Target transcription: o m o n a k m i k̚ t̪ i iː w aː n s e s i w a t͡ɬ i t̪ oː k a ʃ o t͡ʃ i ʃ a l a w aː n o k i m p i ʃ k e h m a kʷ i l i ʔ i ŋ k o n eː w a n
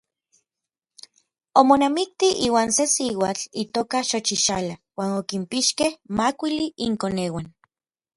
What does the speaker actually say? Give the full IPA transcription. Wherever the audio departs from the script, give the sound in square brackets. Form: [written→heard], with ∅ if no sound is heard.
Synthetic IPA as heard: o m o n a [k→∅] m i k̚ t̪ i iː w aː n s e s i w a t͡ɬ i t̪ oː k a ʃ o t͡ʃ i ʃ a l a w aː n o k i m p i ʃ k e h m a kʷ i l i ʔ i ŋ k o n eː w a n